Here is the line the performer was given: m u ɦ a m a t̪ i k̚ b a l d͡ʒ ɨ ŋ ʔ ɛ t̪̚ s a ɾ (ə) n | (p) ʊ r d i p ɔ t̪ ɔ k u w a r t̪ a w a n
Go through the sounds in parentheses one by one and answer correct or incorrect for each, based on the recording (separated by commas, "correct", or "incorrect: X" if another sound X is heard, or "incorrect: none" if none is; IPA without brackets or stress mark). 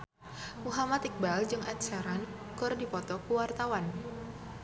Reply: incorrect: a, incorrect: k